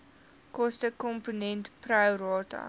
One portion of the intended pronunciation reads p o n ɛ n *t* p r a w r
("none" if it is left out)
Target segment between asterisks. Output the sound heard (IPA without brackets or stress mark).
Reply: t